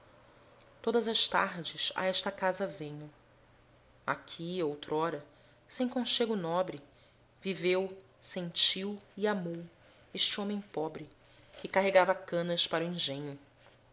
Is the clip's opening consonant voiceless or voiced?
voiceless